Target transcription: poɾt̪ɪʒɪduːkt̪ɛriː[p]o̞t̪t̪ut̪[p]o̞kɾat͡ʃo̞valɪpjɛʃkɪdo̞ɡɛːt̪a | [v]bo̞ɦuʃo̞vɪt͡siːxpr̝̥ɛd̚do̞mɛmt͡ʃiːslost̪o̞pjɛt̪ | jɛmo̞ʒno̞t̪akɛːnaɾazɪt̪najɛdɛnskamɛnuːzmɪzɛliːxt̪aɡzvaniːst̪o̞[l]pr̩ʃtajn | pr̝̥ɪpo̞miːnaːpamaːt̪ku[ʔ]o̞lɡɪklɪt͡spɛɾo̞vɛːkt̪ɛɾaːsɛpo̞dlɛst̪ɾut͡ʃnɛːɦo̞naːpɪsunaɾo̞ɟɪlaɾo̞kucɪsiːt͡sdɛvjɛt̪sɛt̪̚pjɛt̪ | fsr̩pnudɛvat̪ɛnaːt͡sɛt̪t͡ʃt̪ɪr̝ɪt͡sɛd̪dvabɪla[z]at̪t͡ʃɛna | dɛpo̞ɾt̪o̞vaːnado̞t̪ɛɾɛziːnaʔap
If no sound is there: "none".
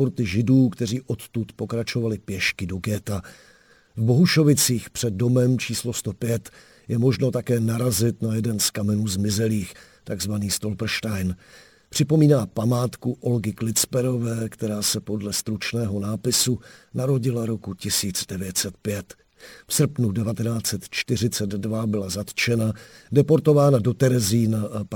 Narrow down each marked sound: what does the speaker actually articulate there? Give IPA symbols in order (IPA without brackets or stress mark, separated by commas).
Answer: ʔ, p, v, l, ʔ, z